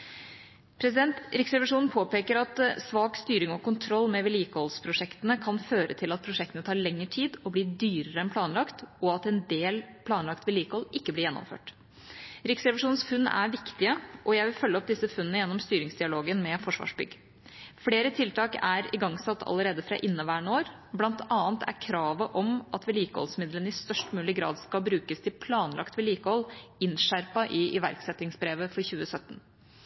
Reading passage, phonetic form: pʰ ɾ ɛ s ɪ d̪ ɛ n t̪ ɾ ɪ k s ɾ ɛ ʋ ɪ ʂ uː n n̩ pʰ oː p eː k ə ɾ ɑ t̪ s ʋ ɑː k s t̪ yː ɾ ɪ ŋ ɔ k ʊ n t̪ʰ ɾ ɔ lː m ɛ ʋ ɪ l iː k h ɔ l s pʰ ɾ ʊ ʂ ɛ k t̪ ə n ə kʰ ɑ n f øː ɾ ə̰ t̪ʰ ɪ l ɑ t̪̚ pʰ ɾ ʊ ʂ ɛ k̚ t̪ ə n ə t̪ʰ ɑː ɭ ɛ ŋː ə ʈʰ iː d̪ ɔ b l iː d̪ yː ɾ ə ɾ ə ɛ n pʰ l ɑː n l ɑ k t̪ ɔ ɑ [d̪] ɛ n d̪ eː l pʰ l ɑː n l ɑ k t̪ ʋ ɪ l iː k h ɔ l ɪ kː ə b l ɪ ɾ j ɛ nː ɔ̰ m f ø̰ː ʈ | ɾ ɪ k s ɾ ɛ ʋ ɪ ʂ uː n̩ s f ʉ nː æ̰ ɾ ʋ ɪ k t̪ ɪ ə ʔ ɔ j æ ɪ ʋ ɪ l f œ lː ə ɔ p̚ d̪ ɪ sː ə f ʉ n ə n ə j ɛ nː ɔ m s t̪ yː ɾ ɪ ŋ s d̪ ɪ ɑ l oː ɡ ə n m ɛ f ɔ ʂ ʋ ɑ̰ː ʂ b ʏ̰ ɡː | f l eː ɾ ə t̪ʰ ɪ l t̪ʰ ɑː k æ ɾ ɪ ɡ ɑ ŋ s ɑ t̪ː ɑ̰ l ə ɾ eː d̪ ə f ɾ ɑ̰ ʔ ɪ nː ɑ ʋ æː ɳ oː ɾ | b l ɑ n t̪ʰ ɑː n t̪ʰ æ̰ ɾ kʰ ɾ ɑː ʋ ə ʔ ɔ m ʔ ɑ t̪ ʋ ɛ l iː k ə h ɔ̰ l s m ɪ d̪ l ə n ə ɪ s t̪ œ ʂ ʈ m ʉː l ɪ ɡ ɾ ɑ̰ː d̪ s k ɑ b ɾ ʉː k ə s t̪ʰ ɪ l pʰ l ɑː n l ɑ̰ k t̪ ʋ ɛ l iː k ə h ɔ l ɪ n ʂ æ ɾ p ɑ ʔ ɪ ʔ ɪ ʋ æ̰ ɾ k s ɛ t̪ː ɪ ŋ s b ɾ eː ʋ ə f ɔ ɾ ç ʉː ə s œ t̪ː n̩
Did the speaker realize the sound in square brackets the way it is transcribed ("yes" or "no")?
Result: no